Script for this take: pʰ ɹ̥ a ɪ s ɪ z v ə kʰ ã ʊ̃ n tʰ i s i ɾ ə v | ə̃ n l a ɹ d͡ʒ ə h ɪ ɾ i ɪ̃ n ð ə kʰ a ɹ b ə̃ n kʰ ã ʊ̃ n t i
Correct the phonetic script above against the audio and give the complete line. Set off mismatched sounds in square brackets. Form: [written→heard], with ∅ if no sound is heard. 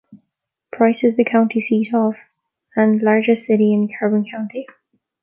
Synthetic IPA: pʰ ɹ̥ a ɪ s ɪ z [v→ð] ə kʰ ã ʊ̃ n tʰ i s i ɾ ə v | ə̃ n l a ɹ d͡ʒ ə [h→s] ɪ ɾ i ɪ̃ n ð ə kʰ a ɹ b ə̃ n kʰ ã ʊ̃ n t i